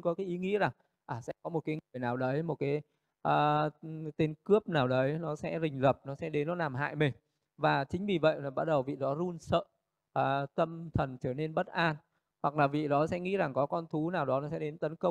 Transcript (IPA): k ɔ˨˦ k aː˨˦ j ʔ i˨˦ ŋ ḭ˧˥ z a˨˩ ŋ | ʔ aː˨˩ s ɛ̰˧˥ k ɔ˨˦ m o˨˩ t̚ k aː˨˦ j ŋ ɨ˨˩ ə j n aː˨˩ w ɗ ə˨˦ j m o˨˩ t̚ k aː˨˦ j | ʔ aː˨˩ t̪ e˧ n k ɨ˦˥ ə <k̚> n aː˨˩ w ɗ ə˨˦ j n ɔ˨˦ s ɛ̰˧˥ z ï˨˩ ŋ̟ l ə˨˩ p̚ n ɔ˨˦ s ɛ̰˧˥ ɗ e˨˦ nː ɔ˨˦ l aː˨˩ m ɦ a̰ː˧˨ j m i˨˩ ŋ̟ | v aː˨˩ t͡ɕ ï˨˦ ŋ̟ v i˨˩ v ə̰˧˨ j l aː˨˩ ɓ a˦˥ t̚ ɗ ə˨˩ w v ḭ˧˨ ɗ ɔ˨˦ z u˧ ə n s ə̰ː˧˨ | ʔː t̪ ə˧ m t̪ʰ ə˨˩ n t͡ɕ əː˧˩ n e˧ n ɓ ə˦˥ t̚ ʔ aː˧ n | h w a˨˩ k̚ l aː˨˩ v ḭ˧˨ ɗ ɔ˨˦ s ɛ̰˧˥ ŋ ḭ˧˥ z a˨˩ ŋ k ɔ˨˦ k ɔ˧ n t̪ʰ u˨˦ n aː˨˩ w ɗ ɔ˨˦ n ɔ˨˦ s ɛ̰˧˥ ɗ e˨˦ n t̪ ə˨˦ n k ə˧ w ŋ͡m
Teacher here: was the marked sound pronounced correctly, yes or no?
no